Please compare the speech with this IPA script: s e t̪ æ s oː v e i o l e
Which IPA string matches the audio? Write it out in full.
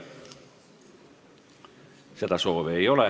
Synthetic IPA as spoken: s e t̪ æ s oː ʋ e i o l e